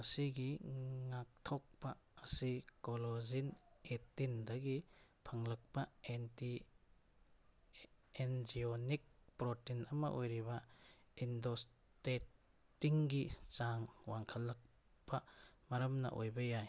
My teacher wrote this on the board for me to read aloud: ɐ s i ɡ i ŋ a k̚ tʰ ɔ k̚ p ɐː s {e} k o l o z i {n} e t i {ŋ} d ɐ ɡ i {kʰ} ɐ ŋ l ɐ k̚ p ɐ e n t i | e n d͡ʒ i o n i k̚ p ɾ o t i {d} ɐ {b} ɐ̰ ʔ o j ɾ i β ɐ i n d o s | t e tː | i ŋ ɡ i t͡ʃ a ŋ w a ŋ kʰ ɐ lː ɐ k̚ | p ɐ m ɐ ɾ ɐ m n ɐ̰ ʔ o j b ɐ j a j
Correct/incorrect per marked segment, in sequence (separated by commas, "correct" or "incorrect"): incorrect, correct, incorrect, incorrect, incorrect, incorrect